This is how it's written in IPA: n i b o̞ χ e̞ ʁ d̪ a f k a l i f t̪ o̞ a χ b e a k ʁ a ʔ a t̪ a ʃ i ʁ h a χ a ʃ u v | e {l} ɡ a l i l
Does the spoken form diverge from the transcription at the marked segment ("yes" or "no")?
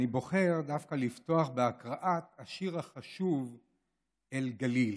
no